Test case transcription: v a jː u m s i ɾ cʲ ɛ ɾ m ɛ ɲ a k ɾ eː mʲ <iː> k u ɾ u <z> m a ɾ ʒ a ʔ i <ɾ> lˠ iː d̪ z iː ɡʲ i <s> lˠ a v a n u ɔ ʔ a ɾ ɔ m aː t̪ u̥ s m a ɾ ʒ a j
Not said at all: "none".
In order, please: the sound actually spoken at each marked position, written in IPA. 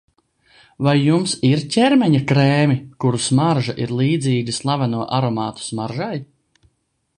i, s, ɾ, s

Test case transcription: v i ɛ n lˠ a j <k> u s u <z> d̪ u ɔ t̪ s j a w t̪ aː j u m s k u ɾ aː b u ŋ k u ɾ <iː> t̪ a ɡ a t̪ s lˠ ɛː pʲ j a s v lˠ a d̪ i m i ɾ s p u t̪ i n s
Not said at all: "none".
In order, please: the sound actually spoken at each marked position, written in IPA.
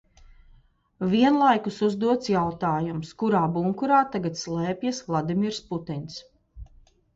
k, z, aː

